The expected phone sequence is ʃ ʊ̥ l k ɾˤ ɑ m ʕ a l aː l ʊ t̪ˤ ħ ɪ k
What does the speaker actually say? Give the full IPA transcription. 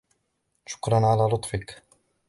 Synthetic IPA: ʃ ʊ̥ k ɾˤ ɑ n ʕ a l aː l ʊ t̪ˤ f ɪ k

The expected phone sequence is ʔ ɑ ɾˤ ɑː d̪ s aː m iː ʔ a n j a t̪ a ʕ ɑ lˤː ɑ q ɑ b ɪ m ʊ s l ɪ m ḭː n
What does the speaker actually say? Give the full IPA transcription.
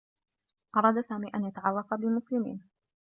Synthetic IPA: ʔ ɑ ɾˤ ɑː d̪ s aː m iː ʔ a n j a t̪ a ʕ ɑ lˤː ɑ q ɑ b ɪ m ʊ s l ɪ m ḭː n

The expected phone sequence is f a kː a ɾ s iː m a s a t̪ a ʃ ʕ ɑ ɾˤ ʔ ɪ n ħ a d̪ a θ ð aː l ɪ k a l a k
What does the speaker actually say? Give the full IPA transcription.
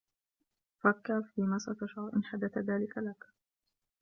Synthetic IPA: f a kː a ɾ f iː m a s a t̪ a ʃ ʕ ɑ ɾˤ ʔ ɪ n ħ a d̪ a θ ð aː l ɪ k a l a k

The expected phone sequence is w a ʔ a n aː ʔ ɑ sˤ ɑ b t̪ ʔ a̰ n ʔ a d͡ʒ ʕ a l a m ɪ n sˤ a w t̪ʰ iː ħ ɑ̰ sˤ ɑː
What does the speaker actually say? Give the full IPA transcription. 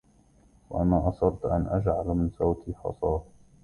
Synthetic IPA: w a ʔ a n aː ʔ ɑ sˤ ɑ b t̪ ʔ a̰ n ʔ a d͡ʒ ʕ a l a m ɪ n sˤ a w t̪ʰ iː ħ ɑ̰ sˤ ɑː

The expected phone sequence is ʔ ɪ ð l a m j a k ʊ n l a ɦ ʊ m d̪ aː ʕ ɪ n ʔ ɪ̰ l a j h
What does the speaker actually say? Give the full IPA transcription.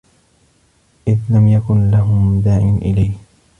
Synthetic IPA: ʔ ɪ ð l a m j a k ʊ n l a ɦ ʊ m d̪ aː ʕ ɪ n ʔ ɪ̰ l a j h

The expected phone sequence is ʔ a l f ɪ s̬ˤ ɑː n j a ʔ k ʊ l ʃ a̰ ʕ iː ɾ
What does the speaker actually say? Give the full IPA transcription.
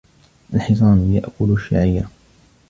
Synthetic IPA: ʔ a l ħ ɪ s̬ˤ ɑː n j a ʔ k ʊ l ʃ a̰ ʕ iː ɾ

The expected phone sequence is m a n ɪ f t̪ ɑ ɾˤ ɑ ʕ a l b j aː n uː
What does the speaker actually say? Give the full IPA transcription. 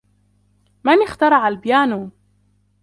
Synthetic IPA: m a n ɪ x t̪ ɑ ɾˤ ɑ ʕ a l b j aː n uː

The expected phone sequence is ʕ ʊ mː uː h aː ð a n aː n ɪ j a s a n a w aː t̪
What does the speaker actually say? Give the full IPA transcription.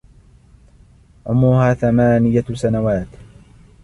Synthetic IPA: ʕ ʊ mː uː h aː θ a m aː n ɪ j a s a n a w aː t̪

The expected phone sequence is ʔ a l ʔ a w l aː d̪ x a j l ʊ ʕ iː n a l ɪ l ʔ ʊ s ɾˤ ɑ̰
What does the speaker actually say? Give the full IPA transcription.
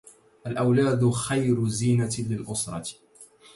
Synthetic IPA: ʔ a l ʔ a w l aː d̪ x a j ɾ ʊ z iː n a l ɪ l ʔ ʊ s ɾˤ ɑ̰

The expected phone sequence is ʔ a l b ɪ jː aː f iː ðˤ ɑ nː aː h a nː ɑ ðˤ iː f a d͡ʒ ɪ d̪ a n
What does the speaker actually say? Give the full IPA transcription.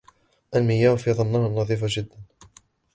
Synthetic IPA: ʔ a l m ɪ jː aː f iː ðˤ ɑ nː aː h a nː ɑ ðˤ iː f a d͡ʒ ɪ d̪ː a n

